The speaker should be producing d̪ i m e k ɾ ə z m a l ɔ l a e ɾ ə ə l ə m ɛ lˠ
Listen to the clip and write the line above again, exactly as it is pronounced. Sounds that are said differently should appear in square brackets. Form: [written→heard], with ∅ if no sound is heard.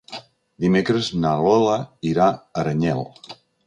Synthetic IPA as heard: d̪ i m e k ɾ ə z [m→n] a l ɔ l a [e→i] ɾ [ə→a] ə [l→ɾ] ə [m→ɲ] ɛ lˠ